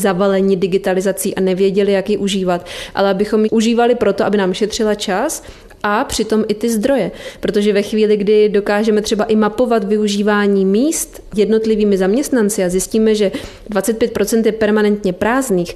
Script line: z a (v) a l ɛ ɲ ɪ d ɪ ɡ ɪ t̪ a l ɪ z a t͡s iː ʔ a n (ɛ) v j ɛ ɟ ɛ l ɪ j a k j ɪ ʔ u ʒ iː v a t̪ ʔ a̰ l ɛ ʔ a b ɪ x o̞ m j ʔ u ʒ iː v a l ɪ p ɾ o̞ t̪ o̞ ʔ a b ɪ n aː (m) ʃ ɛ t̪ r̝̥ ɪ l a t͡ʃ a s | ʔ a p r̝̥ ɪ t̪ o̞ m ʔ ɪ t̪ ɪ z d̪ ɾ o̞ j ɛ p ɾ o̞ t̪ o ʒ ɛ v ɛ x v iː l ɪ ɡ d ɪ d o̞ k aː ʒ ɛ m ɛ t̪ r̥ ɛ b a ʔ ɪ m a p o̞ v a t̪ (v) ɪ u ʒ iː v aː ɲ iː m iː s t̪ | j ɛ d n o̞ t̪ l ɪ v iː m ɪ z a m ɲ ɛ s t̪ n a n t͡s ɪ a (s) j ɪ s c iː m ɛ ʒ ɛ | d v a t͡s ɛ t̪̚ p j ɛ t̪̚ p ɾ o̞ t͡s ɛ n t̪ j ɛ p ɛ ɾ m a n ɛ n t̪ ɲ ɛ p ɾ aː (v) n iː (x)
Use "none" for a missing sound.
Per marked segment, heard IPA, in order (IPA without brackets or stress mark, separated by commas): v, ɛ, m, v, z, z, x